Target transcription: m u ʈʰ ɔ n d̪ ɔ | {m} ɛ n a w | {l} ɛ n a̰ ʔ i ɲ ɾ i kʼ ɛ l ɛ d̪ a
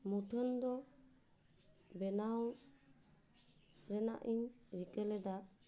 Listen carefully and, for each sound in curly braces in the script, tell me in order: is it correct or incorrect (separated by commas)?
incorrect, incorrect